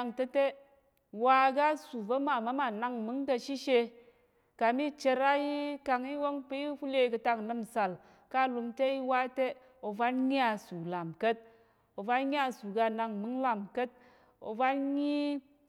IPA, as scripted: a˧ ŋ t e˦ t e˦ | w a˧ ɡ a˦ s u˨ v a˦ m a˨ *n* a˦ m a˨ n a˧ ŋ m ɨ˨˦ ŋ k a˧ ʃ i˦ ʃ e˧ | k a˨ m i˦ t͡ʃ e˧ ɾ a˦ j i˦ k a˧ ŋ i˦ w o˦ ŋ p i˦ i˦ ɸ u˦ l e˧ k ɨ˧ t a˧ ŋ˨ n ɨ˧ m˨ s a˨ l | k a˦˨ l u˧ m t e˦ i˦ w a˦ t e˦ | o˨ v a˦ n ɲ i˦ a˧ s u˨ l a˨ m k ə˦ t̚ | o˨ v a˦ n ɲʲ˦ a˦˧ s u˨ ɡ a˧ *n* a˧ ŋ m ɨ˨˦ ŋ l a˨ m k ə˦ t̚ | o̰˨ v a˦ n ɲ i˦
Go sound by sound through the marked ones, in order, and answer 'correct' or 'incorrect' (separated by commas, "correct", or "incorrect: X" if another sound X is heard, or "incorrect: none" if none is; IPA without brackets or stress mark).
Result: incorrect: m, correct